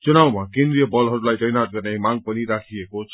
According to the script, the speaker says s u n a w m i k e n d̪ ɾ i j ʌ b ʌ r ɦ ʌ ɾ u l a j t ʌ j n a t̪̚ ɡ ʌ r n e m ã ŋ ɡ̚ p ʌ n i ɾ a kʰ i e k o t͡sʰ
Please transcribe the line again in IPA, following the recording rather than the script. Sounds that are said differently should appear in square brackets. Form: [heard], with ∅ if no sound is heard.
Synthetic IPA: [t͡s] u n a w m [a] k e n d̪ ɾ i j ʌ b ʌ [l] ɦ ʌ ɾ u l a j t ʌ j n a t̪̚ ɡ ʌ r n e m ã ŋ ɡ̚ p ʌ n i ɾ a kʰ i e k o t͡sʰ